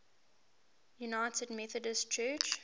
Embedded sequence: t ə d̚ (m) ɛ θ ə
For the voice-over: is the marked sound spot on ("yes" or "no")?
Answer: yes